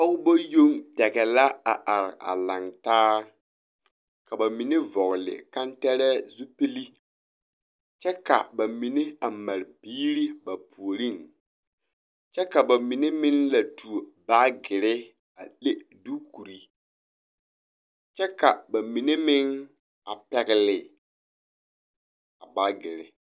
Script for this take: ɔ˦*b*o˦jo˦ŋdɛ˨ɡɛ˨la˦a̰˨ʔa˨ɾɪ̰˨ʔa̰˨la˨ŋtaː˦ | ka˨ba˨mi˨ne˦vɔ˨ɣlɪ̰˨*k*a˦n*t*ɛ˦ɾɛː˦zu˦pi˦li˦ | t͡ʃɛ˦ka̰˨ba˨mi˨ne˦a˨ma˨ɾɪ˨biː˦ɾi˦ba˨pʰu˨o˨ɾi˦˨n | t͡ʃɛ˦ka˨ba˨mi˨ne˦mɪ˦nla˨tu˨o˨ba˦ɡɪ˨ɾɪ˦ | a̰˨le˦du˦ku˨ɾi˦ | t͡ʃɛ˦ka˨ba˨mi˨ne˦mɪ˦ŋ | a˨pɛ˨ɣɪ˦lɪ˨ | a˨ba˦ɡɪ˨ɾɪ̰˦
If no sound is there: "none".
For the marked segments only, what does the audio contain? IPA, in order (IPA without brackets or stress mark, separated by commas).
b, k, t